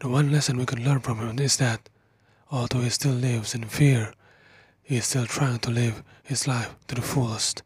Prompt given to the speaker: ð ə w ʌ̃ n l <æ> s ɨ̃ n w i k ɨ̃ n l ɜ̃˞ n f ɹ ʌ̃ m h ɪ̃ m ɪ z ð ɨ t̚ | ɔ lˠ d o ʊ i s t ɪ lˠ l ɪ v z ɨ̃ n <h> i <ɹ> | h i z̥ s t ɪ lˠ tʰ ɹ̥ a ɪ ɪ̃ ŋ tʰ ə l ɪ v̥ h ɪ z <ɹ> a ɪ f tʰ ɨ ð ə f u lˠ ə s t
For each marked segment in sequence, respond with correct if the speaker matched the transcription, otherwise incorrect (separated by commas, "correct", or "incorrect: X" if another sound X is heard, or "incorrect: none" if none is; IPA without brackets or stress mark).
incorrect: ɛ, incorrect: f, correct, incorrect: l